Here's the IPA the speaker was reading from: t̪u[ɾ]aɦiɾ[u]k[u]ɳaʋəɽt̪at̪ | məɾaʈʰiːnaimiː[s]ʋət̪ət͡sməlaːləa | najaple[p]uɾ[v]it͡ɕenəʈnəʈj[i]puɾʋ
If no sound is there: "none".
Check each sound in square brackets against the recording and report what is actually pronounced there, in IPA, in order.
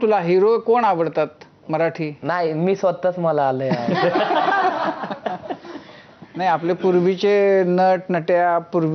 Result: l, o, o, s, p, ʋ, a

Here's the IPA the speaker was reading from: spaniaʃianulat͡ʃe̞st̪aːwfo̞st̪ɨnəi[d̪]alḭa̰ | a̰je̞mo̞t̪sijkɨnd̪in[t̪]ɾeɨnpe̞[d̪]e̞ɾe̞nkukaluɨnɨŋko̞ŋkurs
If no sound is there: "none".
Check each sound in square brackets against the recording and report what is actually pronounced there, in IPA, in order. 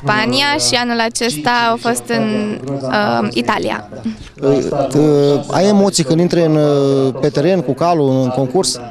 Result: t̪, t̪, t̪

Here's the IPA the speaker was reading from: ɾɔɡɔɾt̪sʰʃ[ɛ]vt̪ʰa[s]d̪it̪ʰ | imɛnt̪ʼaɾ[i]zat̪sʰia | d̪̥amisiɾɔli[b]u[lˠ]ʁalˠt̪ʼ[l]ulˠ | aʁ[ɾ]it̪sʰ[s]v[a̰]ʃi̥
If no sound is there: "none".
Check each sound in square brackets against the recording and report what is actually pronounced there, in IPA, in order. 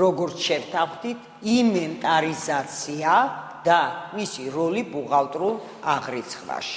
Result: ɛ, χ, i, b, none, ɾ, ɾ, χ, a̰

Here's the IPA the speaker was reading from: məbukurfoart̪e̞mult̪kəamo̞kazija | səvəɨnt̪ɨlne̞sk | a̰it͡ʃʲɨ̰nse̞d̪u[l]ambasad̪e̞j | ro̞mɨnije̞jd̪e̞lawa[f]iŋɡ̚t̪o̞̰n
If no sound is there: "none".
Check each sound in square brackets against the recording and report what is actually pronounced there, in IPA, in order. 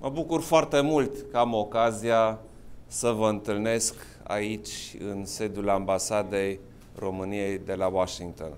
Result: l, ʃ

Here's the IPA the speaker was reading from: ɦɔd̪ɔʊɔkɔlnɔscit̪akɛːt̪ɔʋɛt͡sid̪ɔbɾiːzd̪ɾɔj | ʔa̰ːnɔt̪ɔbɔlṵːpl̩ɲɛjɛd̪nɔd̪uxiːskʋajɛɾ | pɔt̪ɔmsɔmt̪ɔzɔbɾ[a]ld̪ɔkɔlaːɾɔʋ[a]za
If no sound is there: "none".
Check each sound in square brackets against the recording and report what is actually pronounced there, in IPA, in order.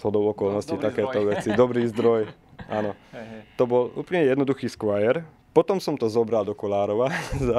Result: a, a

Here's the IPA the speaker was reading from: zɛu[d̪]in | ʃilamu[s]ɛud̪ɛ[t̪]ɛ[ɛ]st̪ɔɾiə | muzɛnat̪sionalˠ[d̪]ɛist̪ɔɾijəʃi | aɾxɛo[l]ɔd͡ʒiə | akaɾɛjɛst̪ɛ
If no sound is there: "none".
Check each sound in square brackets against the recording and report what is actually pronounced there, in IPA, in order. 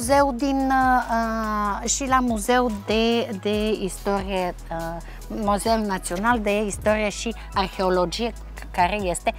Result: d̪, z, d̪, i, d̪, l

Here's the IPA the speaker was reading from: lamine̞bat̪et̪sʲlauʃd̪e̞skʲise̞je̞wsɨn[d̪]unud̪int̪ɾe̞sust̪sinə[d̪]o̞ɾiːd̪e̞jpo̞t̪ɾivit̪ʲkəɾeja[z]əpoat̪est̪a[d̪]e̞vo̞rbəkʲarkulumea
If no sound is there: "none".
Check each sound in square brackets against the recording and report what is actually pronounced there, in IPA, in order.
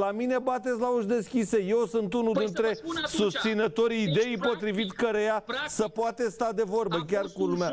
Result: t̪, t̪, s, d̪

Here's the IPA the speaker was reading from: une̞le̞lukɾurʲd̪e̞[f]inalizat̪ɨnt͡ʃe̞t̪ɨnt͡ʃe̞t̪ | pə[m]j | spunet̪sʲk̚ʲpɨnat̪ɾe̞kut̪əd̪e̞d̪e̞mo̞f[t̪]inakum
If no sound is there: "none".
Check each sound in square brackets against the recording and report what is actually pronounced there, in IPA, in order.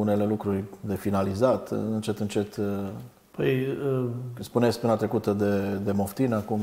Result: f, none, t̪

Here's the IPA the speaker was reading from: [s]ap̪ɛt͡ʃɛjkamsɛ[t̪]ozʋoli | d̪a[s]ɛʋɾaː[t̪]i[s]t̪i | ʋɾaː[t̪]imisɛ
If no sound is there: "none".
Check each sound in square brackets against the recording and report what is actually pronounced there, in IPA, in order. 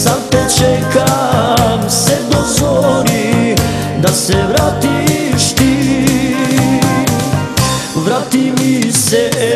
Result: s, d̪, s, t̪, ʃ, t̪

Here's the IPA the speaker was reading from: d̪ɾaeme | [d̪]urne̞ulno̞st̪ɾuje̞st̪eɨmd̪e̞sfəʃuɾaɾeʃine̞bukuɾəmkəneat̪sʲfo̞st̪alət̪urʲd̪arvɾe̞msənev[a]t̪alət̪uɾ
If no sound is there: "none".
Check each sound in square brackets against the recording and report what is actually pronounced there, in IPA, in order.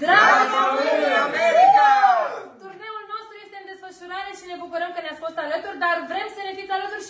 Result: t̪, i

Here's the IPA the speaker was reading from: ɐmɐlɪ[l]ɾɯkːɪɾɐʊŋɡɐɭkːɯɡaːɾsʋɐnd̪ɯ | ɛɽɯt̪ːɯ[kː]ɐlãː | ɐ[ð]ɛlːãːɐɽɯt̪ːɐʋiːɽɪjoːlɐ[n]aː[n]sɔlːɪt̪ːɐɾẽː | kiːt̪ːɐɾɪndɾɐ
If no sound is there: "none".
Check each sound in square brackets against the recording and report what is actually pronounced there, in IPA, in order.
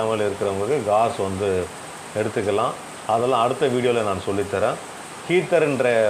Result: none, kː, ð, n, n

